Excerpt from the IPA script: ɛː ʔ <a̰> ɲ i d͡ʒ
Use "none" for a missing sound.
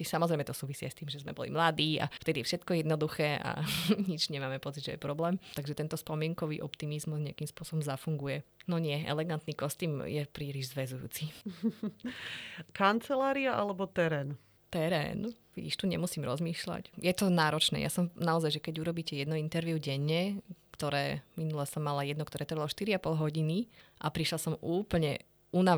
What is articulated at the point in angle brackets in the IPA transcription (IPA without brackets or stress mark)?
a̰